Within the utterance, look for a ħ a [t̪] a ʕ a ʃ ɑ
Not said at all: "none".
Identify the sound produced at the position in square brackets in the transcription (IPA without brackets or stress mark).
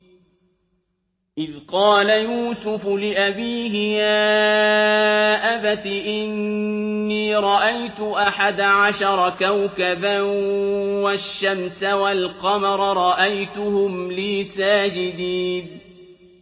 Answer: d̪